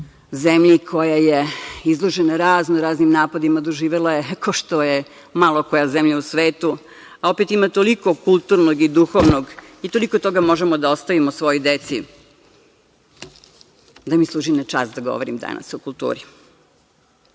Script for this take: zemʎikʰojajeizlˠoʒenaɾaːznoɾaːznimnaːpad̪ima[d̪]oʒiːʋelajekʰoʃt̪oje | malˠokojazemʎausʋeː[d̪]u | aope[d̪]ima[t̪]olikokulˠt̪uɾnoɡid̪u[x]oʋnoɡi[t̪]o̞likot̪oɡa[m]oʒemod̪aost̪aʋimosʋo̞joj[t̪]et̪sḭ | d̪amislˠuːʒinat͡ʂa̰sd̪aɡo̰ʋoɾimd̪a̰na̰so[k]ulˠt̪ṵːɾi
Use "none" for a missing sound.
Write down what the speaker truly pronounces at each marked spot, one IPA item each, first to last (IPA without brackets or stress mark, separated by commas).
d̪, t̪, t̪, t̪, x, t̪, m, d̪, k